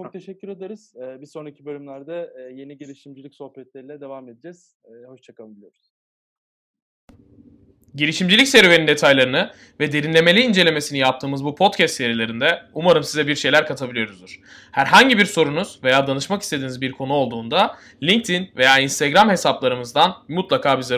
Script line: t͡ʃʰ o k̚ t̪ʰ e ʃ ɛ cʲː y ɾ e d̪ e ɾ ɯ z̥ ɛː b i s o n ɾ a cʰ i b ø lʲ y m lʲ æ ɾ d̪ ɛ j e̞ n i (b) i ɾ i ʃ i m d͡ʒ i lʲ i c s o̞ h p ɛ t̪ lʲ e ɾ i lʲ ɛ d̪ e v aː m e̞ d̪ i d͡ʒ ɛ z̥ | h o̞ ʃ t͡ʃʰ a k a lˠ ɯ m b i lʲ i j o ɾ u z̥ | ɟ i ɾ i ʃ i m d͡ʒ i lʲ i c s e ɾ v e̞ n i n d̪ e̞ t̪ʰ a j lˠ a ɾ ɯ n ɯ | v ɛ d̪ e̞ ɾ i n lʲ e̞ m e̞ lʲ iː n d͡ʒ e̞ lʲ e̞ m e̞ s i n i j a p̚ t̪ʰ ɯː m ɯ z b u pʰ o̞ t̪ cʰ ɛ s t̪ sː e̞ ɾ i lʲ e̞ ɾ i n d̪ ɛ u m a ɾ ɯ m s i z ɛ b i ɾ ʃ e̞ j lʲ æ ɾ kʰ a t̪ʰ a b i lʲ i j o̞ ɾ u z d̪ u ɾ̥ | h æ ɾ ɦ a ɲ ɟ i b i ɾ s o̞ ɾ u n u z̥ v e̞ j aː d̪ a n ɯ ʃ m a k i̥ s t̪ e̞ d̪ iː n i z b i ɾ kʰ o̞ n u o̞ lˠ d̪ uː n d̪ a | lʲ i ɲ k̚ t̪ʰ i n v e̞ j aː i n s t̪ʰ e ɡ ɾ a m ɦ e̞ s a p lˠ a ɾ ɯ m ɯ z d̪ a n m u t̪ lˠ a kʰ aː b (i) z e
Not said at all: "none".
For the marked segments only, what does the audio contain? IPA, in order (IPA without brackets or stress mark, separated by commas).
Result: ɟ, i